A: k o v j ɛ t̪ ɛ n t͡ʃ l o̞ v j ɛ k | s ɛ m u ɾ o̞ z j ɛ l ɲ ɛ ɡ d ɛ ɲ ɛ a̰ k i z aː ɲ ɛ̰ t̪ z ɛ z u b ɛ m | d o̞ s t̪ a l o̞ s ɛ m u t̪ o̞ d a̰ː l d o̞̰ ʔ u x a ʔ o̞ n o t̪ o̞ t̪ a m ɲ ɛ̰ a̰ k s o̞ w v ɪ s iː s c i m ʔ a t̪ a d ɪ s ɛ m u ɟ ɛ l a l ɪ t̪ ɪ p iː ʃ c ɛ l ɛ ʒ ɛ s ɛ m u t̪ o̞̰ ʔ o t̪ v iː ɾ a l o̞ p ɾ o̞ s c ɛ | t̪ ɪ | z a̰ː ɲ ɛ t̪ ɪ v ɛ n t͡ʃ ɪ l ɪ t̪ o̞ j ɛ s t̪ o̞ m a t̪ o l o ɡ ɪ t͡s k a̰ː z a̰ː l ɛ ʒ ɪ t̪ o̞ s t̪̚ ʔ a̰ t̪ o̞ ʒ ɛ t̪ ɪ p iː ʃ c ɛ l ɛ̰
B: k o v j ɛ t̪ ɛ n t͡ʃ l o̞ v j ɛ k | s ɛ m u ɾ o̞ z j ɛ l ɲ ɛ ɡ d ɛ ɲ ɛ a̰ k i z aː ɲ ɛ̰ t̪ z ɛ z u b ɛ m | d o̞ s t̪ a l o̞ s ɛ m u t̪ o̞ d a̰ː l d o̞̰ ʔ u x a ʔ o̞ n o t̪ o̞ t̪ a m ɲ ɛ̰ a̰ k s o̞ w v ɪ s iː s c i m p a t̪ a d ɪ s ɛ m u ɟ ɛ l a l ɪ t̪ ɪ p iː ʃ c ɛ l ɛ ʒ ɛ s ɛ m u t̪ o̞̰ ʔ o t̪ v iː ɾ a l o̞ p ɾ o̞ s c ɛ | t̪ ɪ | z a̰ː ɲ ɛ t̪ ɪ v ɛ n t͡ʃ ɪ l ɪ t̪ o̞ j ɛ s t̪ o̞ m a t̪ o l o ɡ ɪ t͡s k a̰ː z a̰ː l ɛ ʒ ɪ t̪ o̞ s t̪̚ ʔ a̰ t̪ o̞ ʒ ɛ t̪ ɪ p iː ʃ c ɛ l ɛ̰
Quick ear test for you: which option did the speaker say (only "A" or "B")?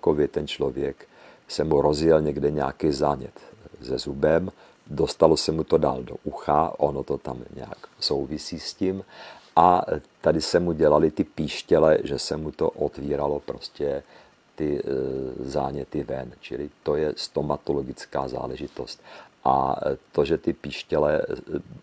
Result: A